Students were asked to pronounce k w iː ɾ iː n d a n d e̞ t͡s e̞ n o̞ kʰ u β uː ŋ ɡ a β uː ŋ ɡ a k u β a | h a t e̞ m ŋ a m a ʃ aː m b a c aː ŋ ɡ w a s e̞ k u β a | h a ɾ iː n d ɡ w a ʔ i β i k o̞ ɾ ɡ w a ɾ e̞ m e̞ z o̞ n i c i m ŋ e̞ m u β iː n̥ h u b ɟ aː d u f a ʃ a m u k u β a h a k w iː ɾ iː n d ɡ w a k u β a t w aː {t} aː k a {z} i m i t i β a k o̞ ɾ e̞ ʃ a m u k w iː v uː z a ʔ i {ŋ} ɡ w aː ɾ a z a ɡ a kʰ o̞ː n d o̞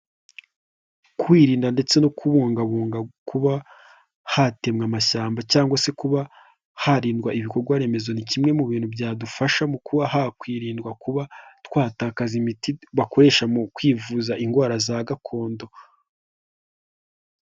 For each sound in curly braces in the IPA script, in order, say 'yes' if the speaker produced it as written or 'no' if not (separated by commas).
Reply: yes, yes, yes